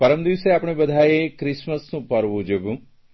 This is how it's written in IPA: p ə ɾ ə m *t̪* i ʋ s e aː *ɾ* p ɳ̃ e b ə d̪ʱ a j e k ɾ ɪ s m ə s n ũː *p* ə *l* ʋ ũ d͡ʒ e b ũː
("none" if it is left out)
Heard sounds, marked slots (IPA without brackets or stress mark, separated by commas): d̪, none, p, ɾ